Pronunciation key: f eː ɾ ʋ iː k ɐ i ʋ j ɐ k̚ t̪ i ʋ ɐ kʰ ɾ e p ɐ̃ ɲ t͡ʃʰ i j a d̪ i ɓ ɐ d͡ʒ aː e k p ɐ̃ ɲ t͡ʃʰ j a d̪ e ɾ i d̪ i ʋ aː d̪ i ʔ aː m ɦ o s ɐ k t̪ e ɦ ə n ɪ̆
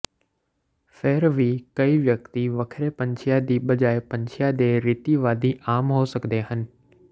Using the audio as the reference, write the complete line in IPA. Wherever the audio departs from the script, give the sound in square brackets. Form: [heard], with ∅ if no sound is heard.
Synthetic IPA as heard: f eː ɾ ʋ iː k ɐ i ʋ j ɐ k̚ t̪ i ʋ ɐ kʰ ɾ e p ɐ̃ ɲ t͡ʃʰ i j a d̪ i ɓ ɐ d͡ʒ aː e [∅] p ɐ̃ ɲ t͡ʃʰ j a d̪ e ɾ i [t̪] i ʋ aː d̪ i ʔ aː m ɦ o s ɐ k [d̪] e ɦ ə n ɪ̆